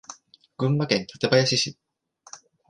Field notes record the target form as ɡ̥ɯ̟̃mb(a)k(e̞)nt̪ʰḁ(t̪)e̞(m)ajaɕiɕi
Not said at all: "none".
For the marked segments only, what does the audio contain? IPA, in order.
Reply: a, ẽ̞, t̪, b

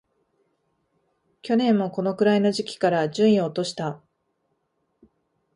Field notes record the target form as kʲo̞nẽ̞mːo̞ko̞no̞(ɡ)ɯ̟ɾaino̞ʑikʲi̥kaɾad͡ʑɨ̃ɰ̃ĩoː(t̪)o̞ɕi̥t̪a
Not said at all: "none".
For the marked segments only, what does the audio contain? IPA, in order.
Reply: k, t̪

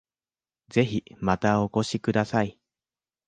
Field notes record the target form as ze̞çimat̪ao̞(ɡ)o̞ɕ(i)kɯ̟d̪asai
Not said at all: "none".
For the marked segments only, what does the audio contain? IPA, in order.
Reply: k, i

